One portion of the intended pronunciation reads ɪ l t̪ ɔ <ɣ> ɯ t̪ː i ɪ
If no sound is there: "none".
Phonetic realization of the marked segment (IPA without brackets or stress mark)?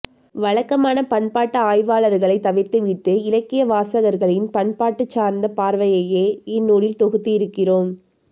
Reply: ɣ